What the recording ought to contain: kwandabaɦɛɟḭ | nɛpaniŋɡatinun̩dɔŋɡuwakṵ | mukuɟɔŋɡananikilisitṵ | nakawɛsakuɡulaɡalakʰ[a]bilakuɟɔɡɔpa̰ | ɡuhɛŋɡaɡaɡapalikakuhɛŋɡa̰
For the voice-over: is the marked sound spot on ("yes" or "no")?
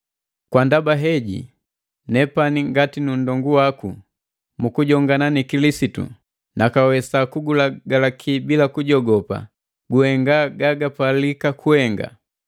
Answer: no